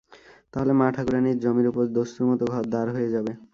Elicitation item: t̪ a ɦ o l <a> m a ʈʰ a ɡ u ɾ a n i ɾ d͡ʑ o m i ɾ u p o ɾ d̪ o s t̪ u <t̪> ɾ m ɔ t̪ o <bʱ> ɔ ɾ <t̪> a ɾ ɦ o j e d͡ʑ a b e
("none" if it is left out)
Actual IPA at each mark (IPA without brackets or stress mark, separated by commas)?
e, none, ɡʱ, d̪